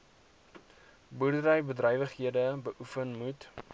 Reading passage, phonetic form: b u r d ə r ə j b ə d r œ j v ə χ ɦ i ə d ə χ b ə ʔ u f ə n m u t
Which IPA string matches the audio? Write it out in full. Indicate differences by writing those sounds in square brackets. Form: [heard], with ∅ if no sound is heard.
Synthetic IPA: b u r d ə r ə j b ə d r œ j v ə χ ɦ i ə d ə [∅] b ə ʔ u f ə n m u t